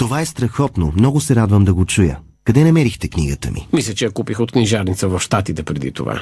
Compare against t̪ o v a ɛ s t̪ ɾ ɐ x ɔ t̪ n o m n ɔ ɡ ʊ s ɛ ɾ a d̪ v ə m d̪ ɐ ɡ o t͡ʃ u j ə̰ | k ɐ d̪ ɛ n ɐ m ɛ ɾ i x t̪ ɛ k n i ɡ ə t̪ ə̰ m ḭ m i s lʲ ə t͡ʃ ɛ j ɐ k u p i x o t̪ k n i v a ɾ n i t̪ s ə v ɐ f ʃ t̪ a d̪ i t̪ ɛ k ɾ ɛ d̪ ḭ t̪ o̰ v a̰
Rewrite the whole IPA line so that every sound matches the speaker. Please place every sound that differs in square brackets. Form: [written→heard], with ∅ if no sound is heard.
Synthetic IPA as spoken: t̪ o v a ɛ s t̪ ɾ ɐ x ɔ t̪ n o m n ɔ ɡ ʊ s ɛ ɾ a d̪ v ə m d̪ ɐ ɡ o t͡ʃ u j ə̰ | k ɐ d̪ ɛ n ɐ m ɛ ɾ i x t̪ ɛ k n i ɡ ə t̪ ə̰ m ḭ m i s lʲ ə t͡ʃ ɛ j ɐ k u p i x o t̪ k n i [v→ʒ] a ɾ n i t̪ s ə v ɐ f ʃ t̪ a [d̪→t̪] i t̪ ɛ [k→p] ɾ ɛ d̪ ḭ t̪ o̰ v a̰